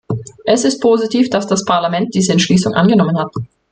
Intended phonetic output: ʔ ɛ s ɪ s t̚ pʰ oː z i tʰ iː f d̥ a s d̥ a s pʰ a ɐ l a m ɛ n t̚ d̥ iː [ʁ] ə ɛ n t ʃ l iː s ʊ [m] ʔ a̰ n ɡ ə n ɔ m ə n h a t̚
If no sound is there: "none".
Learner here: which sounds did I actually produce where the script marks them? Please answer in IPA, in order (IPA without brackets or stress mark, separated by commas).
z, ŋ